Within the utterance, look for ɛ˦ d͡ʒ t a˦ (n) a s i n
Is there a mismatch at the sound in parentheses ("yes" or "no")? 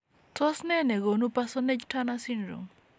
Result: no